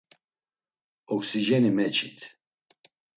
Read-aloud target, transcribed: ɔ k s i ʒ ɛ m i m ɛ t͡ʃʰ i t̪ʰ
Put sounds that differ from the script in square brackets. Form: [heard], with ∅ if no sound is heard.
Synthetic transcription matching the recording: ɔ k s i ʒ ɛ [n] i m ɛ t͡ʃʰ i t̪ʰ